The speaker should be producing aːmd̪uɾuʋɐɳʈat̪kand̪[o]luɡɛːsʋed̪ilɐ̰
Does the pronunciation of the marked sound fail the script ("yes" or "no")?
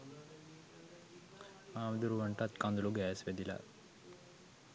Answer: yes